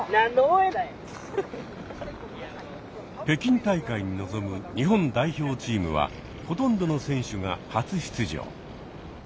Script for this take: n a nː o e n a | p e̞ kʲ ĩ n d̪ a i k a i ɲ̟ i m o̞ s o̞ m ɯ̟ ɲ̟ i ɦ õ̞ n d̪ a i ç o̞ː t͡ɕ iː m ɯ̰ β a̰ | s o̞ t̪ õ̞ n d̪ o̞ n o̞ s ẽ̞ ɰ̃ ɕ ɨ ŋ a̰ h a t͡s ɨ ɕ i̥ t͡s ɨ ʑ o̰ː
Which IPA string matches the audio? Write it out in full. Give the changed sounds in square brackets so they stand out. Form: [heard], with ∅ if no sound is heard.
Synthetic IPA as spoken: n a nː o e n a | p e̞ kʲ ĩ n [t̪] a i k a i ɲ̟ i [n] o̞ [z] o̞ m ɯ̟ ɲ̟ i ɦ õ̞ n d̪ a i ç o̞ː t͡ɕ iː m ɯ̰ β a̰ | [h] o̞ t̪ õ̞ n d̪ o̞ n o̞ s ẽ̞ ɰ̃ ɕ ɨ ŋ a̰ h a t͡s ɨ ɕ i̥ t͡s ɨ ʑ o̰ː